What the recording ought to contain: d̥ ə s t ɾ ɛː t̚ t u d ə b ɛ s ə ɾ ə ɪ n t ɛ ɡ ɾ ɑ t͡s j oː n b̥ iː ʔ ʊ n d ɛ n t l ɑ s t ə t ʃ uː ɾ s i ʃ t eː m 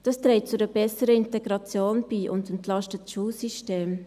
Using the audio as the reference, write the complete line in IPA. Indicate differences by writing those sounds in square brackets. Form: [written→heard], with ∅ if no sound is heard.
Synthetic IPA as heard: d̥ [ə→ɑ] s t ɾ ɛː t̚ [t→t͡s] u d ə b ɛ s ə ɾ ə ɪ n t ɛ ɡ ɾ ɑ t͡s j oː n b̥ iː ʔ ʊ n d ɛ n t l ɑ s t ə t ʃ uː [ɾ→l] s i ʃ t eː m